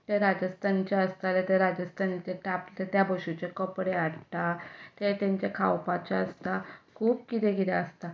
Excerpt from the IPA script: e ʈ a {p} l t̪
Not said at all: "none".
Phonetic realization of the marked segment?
p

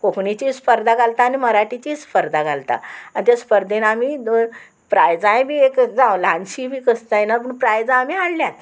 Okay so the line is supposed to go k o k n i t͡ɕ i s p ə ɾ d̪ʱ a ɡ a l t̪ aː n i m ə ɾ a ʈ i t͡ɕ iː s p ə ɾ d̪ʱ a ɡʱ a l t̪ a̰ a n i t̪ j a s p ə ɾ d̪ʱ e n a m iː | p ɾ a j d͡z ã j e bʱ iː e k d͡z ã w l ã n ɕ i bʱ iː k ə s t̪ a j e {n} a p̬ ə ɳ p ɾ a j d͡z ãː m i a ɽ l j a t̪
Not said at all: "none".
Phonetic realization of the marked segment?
n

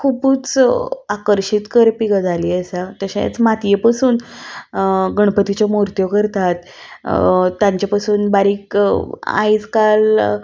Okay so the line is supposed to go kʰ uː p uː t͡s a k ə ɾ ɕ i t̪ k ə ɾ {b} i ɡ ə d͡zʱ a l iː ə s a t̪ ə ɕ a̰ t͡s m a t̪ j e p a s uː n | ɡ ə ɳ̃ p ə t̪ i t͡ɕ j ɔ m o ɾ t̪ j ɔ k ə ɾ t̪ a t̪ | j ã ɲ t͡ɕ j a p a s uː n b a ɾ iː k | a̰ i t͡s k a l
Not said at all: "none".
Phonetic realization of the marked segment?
p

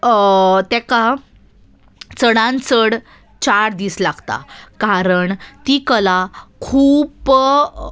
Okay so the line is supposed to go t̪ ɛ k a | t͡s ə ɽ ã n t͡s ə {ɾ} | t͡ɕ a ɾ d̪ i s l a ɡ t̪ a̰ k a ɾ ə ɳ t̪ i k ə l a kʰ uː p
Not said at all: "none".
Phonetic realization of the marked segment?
ɽ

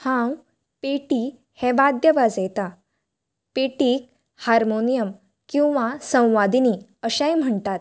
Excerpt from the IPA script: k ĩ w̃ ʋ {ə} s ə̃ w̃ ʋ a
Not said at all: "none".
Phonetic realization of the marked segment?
a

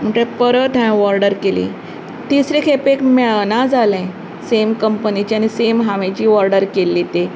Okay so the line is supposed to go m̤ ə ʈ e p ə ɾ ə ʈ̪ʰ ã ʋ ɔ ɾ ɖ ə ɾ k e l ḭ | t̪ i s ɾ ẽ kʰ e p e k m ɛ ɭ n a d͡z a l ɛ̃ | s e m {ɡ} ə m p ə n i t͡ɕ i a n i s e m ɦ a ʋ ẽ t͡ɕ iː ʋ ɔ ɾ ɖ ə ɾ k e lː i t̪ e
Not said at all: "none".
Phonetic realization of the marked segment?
k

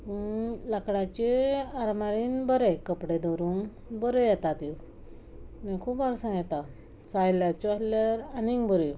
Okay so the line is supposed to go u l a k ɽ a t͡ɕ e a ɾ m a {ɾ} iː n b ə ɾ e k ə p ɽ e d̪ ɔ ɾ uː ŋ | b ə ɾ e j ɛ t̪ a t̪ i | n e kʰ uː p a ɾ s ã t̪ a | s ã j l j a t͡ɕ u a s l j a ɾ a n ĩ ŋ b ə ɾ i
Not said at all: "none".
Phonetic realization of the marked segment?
ɾ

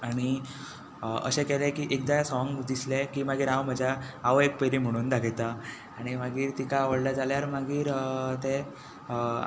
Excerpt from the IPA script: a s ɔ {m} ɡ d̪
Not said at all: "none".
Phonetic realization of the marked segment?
ŋ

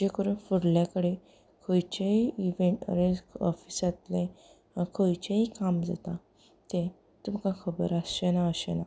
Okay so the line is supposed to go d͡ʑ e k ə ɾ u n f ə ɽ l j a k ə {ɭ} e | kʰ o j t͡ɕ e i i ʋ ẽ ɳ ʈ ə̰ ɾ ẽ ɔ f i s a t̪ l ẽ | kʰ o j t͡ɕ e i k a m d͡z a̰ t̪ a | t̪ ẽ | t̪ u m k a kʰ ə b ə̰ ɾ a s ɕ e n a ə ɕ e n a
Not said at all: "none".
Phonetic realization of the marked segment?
ɽ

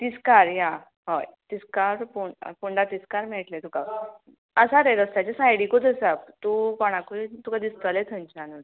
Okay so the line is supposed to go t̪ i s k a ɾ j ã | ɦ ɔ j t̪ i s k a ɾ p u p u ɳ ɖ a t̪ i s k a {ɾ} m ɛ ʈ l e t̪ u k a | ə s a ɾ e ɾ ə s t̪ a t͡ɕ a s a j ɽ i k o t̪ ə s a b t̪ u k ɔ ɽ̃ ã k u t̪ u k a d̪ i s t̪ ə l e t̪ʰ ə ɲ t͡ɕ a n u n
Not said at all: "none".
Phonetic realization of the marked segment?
ɾ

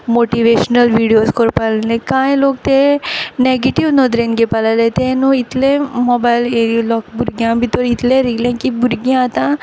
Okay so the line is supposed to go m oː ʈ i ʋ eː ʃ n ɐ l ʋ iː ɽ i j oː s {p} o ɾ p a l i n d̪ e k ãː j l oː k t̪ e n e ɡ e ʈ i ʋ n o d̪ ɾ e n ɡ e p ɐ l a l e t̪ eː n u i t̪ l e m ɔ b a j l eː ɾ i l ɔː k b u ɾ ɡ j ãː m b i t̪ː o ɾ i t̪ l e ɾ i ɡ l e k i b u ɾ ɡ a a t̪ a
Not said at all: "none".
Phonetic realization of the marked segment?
k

